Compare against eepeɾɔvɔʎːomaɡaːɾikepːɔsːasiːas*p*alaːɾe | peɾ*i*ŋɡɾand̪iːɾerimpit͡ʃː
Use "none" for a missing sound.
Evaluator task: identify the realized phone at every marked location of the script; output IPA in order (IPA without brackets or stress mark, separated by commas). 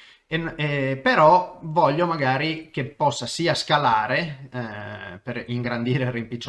k, i